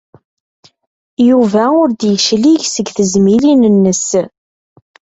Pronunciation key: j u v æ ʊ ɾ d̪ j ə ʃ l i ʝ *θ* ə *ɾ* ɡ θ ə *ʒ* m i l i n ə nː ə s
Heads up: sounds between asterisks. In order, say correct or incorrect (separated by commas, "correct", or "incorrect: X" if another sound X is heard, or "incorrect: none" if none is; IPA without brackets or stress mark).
incorrect: s, incorrect: none, incorrect: z